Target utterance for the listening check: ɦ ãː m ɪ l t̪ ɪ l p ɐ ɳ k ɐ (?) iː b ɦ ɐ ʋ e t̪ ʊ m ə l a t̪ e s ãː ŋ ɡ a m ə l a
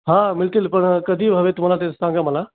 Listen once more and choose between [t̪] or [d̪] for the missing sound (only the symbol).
d̪